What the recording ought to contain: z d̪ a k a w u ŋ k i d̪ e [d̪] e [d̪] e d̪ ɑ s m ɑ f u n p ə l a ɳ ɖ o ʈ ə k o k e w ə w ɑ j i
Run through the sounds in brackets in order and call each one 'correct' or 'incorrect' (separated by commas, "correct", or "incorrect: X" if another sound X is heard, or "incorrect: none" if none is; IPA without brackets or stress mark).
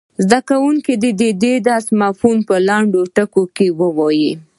correct, correct